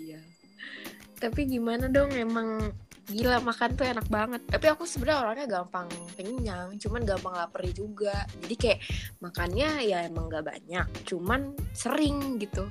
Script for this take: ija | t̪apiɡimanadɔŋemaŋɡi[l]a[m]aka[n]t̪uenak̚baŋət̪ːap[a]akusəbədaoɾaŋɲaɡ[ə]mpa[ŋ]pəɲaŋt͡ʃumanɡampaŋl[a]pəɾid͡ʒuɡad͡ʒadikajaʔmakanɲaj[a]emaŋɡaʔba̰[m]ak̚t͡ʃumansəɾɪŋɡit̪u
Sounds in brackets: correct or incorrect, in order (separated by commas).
correct, correct, correct, incorrect, incorrect, correct, correct, correct, incorrect